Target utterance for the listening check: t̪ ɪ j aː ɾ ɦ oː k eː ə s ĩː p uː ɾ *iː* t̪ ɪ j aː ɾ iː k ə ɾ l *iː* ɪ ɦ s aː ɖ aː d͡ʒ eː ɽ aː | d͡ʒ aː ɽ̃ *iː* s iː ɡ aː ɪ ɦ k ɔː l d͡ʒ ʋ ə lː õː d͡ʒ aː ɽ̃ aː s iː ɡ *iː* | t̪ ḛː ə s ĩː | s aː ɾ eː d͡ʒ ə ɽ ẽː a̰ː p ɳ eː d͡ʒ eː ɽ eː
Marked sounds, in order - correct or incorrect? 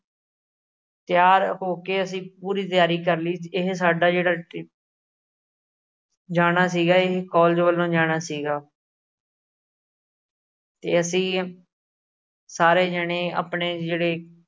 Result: correct, correct, incorrect: aː, incorrect: aː

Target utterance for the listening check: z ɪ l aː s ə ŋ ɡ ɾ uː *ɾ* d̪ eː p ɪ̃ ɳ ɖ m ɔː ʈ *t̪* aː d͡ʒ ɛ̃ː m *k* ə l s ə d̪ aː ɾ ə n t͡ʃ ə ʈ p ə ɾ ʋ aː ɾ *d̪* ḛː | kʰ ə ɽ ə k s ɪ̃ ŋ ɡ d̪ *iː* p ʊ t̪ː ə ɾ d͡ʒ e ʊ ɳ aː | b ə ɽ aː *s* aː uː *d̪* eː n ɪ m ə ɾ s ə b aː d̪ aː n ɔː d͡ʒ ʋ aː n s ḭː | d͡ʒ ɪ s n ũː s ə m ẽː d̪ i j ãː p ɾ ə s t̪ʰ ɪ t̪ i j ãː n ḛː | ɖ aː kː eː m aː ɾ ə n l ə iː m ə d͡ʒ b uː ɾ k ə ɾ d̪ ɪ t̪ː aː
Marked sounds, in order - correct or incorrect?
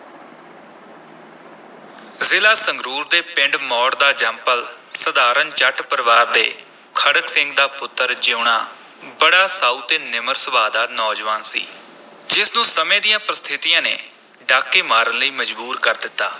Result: correct, incorrect: d̪, incorrect: p, correct, incorrect: aː, correct, incorrect: t̪

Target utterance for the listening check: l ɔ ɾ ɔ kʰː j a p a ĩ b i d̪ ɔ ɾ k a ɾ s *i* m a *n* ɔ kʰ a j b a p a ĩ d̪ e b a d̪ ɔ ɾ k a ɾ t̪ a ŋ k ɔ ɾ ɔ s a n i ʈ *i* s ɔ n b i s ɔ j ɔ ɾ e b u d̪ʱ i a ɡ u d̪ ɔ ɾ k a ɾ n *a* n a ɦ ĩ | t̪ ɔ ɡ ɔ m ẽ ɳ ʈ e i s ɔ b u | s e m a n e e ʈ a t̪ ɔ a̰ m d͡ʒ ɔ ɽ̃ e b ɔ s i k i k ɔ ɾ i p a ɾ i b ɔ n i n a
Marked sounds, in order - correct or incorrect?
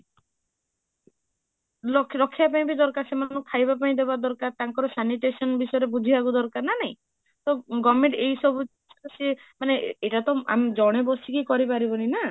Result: incorrect: e, correct, incorrect: e, correct

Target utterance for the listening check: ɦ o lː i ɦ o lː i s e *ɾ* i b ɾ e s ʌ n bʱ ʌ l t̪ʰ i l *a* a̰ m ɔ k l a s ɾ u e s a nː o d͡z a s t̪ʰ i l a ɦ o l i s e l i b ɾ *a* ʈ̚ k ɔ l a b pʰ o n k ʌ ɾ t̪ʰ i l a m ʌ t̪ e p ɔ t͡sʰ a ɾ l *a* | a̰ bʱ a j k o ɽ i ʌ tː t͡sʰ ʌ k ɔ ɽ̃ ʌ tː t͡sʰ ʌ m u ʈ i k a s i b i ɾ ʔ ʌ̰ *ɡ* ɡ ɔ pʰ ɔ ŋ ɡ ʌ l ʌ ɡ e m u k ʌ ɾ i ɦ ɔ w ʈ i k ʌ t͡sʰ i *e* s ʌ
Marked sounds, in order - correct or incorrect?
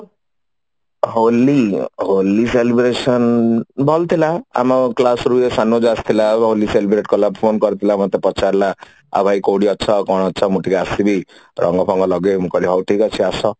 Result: incorrect: l, correct, incorrect: e, correct, incorrect: ŋ, incorrect: a

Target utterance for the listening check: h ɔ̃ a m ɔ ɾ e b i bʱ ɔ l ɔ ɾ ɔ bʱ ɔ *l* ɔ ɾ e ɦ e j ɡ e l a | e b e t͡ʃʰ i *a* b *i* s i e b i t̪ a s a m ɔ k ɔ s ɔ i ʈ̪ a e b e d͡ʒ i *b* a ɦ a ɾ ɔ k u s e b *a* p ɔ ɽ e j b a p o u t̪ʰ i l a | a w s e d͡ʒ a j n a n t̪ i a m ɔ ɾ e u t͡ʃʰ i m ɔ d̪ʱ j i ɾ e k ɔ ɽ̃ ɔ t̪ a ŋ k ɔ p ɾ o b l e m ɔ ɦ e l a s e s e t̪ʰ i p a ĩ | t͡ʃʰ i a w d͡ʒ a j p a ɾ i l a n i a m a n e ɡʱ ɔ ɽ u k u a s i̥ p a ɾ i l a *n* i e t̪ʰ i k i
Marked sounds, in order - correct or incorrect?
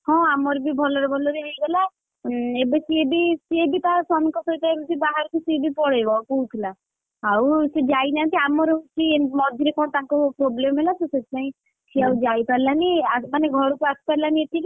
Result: correct, incorrect: e, correct, correct, incorrect: i, correct

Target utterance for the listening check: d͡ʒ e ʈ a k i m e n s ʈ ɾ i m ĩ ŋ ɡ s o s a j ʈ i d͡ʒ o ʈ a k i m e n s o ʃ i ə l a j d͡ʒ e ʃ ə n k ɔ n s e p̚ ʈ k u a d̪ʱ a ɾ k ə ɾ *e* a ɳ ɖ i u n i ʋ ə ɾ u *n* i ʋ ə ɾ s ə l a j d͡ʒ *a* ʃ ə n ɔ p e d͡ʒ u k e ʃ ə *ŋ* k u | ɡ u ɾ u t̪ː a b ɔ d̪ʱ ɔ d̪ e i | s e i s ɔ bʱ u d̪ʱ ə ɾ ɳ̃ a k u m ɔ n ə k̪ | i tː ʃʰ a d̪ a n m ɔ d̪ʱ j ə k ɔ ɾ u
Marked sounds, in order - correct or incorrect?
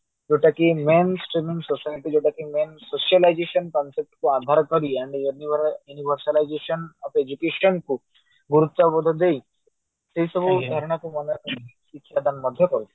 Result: incorrect: i, correct, incorrect: e, incorrect: n

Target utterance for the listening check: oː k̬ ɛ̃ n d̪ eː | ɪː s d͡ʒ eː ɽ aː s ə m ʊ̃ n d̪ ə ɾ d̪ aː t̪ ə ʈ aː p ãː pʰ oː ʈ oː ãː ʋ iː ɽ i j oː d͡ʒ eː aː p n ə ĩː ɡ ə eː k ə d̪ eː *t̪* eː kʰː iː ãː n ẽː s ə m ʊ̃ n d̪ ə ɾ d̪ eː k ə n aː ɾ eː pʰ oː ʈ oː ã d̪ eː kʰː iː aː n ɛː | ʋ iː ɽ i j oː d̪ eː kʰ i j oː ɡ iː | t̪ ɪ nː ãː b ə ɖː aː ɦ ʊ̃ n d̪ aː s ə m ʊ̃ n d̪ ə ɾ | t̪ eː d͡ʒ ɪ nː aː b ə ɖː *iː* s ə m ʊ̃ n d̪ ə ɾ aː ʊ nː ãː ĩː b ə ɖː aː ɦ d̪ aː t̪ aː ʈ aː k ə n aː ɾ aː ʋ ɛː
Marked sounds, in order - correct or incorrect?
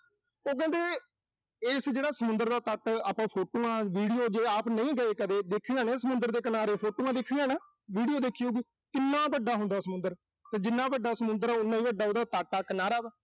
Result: incorrect: d̪, incorrect: aː

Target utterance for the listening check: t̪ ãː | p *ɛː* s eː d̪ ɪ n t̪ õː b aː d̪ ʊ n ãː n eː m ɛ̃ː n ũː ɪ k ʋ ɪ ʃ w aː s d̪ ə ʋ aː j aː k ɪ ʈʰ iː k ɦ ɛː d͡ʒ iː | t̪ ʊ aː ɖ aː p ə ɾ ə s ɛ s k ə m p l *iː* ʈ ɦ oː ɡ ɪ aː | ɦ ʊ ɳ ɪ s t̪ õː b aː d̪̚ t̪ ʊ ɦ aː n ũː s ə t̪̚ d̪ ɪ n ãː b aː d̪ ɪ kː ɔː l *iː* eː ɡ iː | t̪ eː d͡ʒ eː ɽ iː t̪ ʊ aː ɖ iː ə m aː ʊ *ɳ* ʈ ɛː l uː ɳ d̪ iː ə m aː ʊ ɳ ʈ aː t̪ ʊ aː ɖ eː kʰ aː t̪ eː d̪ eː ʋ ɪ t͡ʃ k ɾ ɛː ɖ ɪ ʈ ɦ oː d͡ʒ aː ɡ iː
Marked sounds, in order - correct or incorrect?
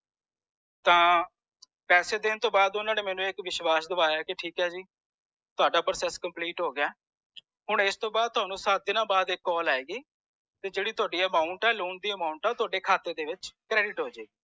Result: correct, correct, incorrect: aː, correct

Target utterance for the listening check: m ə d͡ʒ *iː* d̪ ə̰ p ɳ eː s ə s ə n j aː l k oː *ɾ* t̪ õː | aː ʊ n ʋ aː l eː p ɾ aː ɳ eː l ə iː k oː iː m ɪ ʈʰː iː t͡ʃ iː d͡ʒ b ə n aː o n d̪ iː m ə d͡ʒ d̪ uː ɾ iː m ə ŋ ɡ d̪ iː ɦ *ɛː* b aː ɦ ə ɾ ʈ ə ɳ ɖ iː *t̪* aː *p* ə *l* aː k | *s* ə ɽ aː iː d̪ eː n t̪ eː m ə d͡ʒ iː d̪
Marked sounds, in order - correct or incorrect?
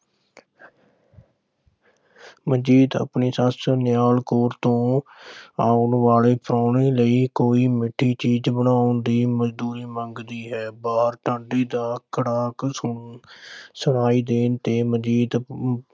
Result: correct, correct, correct, incorrect: d̪, incorrect: k, incorrect: ɽ, correct

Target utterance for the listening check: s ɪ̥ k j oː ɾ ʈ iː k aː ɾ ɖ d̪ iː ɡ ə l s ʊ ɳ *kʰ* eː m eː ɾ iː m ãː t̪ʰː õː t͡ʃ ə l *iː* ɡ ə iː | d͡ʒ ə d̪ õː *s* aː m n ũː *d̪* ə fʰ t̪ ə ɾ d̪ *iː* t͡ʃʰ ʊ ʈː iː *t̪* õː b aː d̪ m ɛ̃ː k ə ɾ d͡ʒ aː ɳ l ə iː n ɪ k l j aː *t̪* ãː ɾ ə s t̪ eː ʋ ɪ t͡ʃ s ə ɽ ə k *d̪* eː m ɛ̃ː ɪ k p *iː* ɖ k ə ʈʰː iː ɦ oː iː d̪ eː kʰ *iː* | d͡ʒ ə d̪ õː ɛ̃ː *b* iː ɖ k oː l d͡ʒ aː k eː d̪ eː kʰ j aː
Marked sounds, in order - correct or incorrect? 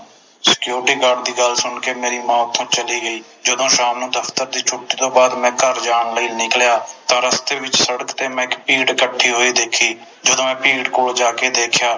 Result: incorrect: k, correct, incorrect: ʃ, correct, correct, correct, correct, incorrect: t̪, correct, correct, incorrect: p

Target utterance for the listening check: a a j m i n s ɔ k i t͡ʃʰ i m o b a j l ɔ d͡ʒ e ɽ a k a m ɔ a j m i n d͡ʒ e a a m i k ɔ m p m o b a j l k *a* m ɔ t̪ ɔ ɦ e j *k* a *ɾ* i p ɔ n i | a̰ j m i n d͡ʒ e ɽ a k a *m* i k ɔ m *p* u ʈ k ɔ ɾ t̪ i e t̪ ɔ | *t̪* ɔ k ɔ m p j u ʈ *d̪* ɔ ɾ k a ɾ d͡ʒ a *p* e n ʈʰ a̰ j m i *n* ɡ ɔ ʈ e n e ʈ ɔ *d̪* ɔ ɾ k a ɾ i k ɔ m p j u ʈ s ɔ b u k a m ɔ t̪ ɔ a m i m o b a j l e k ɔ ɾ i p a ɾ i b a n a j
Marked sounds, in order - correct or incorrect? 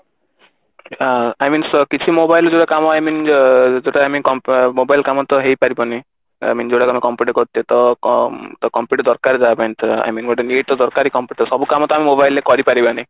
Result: correct, incorrect: p, correct, correct, correct, correct, correct, incorrect: b, correct, correct

